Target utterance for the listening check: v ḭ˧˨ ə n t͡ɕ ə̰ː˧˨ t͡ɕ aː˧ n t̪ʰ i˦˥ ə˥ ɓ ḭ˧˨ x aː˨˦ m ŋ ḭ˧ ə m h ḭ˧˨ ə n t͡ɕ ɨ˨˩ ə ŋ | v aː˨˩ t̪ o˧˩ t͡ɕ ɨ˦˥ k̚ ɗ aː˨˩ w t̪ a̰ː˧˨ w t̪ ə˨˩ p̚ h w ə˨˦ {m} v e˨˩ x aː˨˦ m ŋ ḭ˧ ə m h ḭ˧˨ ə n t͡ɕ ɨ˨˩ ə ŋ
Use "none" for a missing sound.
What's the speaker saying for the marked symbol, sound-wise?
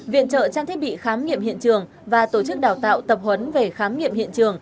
n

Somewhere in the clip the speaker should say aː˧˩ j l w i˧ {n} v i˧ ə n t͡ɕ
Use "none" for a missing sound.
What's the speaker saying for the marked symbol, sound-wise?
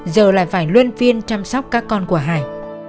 n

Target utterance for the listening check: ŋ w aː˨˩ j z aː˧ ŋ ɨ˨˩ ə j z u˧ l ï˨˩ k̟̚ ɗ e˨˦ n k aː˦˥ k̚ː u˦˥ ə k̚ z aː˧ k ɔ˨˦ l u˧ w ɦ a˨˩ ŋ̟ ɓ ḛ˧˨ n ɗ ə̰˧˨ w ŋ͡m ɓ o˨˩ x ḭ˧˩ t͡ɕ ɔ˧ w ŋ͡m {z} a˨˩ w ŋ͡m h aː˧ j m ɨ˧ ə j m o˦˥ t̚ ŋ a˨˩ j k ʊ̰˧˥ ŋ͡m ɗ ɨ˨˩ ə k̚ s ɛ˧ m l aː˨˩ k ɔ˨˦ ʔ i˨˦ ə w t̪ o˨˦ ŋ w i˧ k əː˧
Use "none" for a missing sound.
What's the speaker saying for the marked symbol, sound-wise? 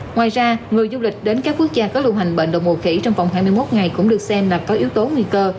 v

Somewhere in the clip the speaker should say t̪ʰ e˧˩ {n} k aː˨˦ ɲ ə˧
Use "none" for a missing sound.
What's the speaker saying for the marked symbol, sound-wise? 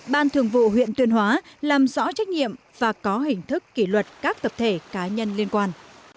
none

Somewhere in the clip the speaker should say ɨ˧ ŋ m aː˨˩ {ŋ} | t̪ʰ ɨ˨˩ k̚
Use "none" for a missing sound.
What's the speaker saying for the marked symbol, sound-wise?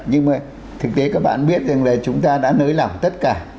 none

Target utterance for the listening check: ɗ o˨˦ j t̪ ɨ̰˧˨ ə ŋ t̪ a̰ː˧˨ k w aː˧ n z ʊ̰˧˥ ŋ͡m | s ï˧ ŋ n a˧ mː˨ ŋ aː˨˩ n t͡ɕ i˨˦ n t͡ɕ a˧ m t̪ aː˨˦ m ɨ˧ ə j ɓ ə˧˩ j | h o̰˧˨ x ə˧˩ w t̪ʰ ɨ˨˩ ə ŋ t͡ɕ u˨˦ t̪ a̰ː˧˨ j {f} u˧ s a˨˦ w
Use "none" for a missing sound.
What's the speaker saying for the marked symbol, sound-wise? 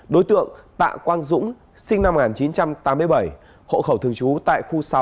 x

